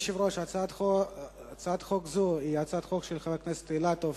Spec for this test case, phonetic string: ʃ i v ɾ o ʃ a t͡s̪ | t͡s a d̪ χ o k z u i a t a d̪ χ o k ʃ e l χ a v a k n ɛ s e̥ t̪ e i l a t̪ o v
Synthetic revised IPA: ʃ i v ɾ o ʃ a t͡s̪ | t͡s a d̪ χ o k z u i a t͡s a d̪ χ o k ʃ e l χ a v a k n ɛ s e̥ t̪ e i l a t̪ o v